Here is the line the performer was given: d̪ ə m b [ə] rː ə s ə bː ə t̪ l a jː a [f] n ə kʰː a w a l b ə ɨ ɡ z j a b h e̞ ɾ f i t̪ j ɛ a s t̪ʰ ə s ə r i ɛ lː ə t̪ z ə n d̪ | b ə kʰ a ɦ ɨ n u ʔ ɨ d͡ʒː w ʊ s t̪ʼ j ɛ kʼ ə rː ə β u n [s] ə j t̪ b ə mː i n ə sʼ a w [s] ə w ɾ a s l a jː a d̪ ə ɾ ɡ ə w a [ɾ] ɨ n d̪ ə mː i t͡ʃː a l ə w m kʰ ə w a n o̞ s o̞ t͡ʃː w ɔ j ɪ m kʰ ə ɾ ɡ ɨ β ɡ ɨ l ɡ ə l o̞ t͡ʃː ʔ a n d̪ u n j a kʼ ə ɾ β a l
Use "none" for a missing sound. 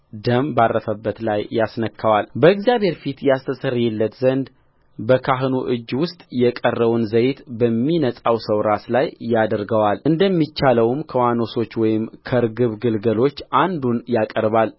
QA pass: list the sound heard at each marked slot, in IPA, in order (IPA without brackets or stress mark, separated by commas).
a, s, z, s, l